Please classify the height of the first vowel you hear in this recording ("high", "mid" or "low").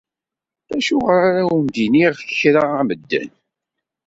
low